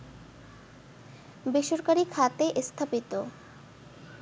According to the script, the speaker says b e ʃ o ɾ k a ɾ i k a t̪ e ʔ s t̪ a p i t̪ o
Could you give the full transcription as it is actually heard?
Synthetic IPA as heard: b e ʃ o ɾ k a ɾ i kʰ a t̪ e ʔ s t̪ʰ a p i t̪ o